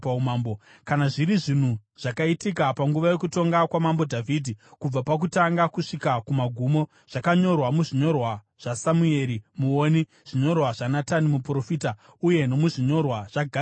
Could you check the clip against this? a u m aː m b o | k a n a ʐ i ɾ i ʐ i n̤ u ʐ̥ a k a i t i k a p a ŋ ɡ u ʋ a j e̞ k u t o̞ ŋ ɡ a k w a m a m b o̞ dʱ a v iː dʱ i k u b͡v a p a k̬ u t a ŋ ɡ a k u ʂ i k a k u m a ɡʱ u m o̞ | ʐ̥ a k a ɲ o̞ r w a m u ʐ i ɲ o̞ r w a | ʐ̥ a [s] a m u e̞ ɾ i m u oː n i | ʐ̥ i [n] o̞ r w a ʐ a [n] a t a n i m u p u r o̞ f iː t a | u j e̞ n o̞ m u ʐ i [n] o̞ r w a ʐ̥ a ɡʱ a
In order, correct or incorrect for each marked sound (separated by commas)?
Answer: correct, incorrect, correct, incorrect